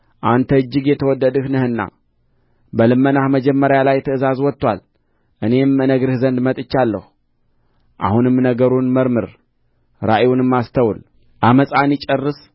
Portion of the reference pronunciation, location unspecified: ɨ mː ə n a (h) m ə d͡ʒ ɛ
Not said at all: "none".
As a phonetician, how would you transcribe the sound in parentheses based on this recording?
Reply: h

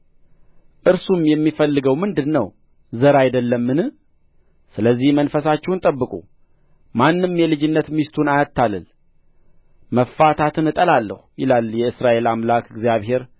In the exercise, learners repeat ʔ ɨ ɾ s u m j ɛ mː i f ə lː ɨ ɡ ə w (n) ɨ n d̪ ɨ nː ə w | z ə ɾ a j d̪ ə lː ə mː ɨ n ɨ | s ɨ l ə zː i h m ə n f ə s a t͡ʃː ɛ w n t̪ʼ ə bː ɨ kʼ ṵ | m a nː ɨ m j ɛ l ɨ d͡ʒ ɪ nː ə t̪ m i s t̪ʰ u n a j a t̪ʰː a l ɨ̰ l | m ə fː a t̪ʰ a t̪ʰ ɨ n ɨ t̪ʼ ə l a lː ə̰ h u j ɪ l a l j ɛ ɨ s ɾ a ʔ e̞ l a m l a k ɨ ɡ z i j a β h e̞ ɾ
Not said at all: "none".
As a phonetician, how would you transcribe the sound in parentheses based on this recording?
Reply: m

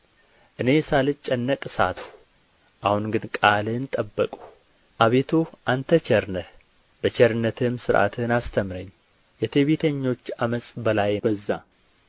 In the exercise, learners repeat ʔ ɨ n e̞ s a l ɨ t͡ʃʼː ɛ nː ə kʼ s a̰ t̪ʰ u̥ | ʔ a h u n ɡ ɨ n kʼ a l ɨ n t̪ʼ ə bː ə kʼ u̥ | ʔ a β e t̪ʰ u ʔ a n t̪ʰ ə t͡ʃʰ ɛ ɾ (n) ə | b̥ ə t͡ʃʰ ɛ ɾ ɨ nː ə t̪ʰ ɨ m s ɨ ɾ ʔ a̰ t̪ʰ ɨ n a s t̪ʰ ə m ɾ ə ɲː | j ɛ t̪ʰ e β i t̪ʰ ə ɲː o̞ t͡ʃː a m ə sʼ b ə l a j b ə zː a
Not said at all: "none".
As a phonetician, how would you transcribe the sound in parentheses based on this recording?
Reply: n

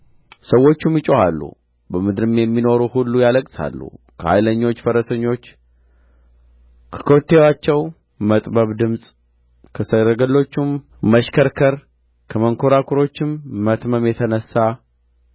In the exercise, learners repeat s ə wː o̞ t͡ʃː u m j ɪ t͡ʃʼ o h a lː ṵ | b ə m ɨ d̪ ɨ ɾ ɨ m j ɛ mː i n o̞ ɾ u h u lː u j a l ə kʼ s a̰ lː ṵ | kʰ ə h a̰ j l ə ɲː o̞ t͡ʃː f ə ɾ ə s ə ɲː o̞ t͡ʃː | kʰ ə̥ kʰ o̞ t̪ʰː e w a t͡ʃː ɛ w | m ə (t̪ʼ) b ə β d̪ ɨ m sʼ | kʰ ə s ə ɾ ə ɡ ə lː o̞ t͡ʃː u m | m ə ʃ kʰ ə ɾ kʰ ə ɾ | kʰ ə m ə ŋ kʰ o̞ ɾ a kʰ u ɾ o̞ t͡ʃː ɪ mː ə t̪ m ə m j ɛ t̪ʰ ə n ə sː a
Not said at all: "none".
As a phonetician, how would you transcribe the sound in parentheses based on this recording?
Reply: t̪ʼ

